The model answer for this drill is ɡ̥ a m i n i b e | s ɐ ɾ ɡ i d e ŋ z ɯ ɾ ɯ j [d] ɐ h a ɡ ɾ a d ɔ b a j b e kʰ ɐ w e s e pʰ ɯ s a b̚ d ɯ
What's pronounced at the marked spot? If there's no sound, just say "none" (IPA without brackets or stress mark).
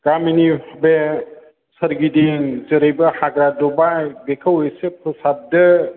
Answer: b